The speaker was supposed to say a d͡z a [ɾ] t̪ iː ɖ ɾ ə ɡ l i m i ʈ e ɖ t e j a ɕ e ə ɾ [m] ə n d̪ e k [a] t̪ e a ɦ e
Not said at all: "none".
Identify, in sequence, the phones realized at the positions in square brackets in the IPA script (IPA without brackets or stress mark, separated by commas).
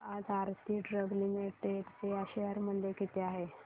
ɾ, m, i